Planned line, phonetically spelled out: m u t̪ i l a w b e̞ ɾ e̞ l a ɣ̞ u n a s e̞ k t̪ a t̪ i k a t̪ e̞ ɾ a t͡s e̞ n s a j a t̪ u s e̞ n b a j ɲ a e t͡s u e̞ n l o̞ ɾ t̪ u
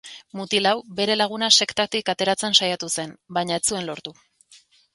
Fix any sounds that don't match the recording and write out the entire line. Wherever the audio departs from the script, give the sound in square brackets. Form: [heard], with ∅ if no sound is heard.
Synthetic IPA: m u t̪ i l a w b e̞ ɾ e̞ l a ɣ̞ u n a s e̞ k t̪ a t̪ i k a t̪ e̞ ɾ a t͡s e̞ n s a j a t̪ u s e̞ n b a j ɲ a e t͡s u e̞ n l o̞ ɾ t̪ u